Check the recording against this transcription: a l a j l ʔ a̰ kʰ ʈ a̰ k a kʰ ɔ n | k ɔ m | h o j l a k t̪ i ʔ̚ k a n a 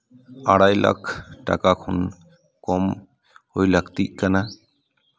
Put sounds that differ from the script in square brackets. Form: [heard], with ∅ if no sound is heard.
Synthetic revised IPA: a [ɽ] a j l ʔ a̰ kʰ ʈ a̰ k a kʰ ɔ n | k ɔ m | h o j l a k t̪ i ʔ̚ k a n a